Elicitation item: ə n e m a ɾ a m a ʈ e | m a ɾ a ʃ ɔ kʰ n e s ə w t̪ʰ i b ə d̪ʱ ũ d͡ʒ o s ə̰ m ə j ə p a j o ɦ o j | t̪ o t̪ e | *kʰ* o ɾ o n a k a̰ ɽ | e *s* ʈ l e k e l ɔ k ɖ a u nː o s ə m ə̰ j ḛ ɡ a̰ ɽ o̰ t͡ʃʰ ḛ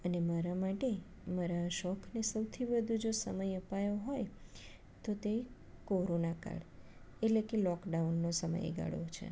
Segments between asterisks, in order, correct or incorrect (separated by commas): incorrect, incorrect